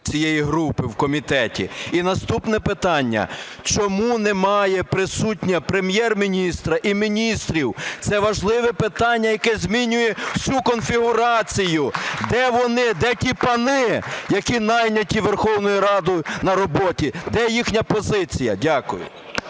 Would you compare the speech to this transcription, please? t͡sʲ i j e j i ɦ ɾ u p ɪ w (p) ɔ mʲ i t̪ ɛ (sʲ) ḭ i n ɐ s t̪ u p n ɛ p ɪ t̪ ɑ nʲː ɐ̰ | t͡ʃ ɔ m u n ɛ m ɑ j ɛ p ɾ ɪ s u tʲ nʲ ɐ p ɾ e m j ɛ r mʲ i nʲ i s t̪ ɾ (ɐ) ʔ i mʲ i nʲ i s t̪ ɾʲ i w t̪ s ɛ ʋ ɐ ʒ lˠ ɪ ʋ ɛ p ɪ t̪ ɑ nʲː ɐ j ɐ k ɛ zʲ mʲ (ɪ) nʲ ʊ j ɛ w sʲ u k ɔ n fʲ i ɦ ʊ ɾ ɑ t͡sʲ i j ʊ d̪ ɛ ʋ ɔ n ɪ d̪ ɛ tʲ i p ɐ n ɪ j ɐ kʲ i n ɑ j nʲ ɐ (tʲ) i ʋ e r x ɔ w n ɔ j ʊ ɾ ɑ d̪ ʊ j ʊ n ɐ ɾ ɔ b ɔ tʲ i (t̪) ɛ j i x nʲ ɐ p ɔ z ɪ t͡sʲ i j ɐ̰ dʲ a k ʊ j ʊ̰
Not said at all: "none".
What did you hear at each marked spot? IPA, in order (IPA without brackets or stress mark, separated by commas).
k, tʲ, ɐ, i, tʲ, d̪